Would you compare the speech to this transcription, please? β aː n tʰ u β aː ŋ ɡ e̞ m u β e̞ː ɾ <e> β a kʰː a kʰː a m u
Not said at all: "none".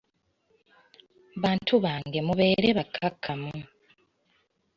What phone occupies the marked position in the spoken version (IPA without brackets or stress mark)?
e